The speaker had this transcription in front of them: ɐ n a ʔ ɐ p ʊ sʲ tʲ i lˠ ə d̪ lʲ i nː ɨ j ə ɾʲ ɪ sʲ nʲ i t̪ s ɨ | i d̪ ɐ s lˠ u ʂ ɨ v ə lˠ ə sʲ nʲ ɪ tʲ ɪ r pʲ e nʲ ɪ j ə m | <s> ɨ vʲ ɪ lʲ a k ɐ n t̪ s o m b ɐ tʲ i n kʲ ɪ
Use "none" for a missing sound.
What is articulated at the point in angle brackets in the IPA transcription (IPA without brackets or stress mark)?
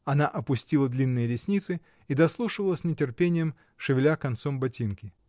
ʂ